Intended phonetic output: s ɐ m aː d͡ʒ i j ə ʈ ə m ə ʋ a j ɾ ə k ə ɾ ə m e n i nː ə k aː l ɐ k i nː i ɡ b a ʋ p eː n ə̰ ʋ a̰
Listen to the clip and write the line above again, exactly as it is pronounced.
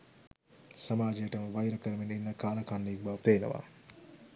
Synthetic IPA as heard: s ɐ m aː d͡ʒ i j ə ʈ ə m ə ʋ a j ɾ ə k ə ɾ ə m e n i nː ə k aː l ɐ k a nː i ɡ b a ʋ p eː n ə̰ ʋ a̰